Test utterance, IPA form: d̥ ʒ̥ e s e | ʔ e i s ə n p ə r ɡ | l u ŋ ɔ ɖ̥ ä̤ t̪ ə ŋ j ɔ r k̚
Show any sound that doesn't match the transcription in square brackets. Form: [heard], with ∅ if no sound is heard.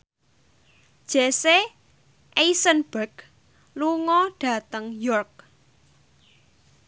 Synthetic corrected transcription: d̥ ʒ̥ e s e | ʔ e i s ə n [b] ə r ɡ | l u ŋ ɔ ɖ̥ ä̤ t̪ ə ŋ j ɔ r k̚